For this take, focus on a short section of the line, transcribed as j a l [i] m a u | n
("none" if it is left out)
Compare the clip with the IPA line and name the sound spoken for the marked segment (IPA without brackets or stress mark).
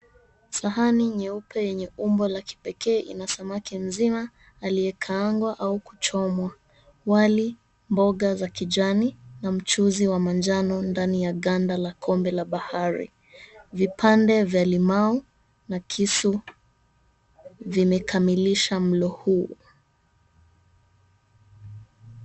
i